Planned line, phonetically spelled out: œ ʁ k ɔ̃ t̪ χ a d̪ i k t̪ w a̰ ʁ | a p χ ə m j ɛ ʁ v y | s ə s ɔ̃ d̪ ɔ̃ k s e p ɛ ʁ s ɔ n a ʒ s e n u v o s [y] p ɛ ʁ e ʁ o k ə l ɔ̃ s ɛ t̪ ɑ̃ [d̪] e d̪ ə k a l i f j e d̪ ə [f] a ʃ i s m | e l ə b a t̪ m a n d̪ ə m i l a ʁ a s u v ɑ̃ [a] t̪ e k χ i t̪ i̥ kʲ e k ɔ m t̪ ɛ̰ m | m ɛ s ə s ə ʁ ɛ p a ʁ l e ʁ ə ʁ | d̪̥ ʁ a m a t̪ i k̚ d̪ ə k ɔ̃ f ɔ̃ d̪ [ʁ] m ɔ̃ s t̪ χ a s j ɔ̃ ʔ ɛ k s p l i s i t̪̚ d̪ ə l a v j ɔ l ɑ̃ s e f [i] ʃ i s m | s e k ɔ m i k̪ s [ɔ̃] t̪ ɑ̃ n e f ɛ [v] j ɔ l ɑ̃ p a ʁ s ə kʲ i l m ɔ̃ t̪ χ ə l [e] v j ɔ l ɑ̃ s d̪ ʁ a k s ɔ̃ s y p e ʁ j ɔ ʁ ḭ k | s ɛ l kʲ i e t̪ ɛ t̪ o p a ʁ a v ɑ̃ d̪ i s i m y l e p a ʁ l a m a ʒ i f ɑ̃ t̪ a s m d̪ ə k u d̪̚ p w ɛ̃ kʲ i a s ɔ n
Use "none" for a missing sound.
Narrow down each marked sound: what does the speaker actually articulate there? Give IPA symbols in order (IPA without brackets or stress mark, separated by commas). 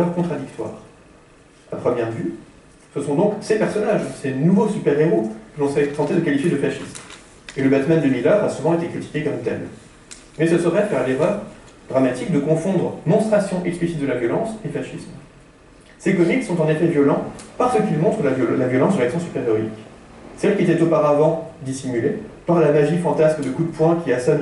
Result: y, t̪, f, e, ʁ, a, ɔ̃, v, a